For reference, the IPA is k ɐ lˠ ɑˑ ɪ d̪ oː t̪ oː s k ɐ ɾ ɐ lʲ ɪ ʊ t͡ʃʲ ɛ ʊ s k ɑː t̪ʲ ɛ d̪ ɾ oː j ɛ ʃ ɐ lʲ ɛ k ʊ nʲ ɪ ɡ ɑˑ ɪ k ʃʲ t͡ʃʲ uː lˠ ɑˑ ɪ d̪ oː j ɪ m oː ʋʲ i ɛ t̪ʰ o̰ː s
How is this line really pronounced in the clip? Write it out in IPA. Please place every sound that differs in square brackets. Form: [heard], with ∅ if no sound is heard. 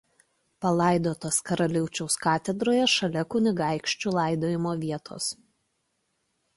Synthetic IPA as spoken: [p] ɐ lˠ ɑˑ ɪ d̪ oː t̪ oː s k ɐ ɾ ɐ lʲ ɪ ʊ t͡ʃʲ ɛ ʊ s k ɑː t̪ʲ ɛ d̪ ɾ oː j ɛ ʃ ɐ lʲ ɛ k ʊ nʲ ɪ ɡ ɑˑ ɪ k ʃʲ t͡ʃʲ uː lˠ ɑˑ ɪ d̪ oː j ɪ m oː ʋʲ i ɛ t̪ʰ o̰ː s